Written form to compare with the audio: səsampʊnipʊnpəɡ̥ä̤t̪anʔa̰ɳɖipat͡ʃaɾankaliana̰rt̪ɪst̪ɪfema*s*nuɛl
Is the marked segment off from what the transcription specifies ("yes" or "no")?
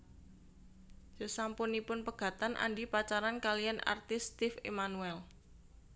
yes